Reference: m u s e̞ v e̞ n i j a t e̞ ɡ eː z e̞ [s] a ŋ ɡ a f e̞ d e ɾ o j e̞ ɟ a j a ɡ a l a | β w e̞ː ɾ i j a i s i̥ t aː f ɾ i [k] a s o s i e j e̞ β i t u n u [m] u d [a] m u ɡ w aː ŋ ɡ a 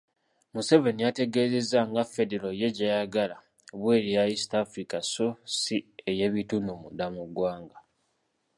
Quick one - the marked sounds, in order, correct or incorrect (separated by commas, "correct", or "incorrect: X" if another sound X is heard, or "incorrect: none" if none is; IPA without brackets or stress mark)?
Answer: incorrect: z, correct, correct, correct